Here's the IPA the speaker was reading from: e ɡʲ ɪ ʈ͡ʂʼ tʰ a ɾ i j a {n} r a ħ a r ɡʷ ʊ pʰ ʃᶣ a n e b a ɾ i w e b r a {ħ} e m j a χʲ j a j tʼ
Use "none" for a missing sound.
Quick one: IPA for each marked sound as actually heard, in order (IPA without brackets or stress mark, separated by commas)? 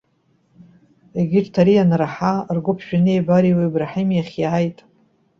n, ħ